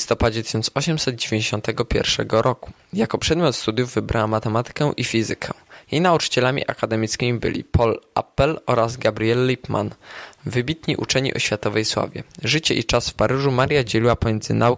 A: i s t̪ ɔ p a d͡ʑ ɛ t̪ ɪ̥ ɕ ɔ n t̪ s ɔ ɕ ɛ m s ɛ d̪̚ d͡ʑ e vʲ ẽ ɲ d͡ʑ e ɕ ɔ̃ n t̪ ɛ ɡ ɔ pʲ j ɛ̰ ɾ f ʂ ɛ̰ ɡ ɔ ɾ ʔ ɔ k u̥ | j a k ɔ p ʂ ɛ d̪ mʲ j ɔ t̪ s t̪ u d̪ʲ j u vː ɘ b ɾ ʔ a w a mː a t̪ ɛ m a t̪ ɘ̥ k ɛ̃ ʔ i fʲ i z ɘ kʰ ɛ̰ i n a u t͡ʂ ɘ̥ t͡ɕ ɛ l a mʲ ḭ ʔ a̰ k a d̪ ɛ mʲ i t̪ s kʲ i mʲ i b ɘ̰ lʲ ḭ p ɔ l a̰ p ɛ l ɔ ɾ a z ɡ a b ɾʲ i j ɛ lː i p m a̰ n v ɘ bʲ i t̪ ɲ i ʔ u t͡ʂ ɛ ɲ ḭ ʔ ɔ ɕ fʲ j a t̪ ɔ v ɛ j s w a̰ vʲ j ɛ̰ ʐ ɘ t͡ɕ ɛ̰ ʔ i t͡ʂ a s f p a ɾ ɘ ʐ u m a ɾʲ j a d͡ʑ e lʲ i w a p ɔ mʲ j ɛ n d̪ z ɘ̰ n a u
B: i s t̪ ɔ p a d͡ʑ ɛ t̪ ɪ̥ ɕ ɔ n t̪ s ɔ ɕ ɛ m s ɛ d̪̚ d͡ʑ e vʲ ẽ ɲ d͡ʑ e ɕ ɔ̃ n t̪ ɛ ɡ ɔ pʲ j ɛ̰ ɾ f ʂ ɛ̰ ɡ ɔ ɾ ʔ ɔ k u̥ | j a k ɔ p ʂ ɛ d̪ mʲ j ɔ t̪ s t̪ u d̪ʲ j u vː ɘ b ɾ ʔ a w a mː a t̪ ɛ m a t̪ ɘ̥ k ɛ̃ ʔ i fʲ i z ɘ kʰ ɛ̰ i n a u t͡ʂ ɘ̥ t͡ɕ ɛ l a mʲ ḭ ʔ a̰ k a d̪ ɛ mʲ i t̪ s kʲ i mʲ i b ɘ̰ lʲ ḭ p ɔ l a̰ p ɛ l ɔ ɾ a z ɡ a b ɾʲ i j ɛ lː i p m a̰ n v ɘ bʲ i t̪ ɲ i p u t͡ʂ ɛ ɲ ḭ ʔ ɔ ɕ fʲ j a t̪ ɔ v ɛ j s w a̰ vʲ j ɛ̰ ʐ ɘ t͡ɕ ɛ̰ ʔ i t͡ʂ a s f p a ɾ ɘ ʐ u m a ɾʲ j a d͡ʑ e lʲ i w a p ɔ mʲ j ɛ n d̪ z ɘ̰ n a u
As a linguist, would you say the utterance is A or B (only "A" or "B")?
A